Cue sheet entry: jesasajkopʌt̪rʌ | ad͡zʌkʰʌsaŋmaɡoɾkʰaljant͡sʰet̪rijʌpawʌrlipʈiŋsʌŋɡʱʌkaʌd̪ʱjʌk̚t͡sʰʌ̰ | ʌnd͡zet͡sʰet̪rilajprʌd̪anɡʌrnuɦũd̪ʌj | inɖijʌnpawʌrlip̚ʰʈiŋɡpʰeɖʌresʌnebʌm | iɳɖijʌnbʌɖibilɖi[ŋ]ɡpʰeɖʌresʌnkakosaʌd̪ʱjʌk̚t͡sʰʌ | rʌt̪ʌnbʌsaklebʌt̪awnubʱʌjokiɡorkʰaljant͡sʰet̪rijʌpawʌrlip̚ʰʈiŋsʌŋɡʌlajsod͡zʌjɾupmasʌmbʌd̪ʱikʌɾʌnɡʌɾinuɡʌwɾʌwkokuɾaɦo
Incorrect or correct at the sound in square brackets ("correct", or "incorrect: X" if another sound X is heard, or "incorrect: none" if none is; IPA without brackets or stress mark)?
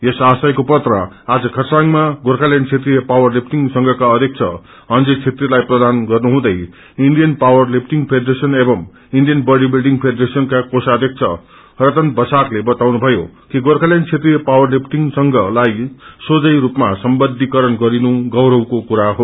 correct